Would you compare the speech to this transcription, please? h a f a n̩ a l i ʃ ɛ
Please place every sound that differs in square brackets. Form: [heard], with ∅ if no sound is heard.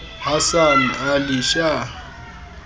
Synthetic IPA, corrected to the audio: h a [s] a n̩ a l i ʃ [a]